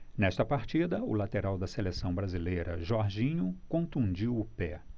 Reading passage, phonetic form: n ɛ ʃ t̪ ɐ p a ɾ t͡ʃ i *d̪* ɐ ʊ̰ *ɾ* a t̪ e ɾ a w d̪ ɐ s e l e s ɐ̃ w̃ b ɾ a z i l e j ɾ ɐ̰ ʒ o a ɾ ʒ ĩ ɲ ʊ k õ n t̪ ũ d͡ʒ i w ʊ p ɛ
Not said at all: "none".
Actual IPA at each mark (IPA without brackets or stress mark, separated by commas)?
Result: d̪, l